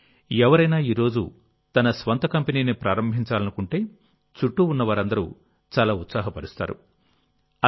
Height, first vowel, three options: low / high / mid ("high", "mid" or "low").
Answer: mid